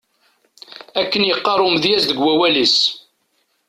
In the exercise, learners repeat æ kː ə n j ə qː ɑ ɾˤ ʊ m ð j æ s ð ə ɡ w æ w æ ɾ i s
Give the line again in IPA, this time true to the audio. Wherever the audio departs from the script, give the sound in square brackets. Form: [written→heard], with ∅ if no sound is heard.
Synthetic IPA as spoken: æ kː ə n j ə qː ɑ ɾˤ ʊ m ð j æ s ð ə ɡ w æ w æ [ɾ→l] i s